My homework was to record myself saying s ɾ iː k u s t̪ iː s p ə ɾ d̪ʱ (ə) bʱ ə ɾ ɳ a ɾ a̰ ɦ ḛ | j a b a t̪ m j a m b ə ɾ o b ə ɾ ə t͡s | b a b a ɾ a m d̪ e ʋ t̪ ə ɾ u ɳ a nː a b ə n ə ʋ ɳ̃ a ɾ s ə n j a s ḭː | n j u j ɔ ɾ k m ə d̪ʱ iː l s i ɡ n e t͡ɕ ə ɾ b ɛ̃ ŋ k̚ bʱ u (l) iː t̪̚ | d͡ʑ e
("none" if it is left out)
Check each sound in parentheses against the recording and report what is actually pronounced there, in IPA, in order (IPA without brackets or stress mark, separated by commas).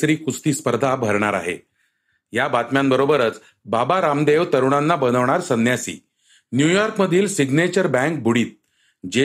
a, ɽ